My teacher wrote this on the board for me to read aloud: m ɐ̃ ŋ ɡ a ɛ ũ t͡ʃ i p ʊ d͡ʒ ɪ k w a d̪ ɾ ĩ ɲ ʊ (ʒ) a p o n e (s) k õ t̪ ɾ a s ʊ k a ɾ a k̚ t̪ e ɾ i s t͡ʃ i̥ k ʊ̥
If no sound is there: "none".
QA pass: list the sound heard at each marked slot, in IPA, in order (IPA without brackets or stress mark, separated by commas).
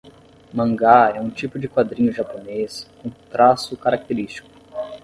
ʒ, s